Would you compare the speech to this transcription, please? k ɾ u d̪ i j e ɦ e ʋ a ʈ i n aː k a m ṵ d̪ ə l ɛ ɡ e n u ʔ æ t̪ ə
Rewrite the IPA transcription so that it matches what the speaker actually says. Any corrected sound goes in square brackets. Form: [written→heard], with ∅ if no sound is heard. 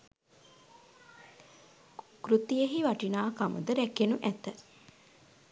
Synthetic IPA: k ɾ u [d̪→t̪] i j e ɦ [e→i] ʋ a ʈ i n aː k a m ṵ d̪ ə [l→ɾ] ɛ [ɡ→k] e n u ʔ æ t̪ ə